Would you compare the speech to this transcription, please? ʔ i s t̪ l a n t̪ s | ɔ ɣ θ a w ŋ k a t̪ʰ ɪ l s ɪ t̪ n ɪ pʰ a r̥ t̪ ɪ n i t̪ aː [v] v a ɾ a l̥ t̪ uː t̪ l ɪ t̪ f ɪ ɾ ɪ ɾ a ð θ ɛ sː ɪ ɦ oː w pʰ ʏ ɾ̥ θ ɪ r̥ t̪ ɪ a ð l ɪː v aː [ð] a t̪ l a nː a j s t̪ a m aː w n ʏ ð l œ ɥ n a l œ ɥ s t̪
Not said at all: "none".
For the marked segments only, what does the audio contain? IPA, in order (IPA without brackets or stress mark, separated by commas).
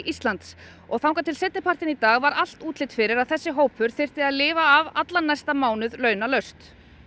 ɣ, v